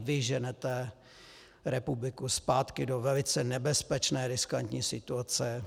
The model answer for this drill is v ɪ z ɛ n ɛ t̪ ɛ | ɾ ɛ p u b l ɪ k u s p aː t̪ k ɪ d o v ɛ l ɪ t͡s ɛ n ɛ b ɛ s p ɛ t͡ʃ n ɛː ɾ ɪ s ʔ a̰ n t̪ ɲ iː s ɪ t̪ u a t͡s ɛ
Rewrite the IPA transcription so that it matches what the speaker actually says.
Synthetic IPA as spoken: v ɪ ʒ ɛ n ɛ t̪ ɛ | ɾ ɛ p u b l ɪ k u s p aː t̪ k ɪ d o v ɛ l ɪ t͡s ɛ n ɛ b ɛ s p ɛ t͡ʃ n ɛː ɾ ɪ s k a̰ n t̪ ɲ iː s ɪ t̪ u a t͡s ɛ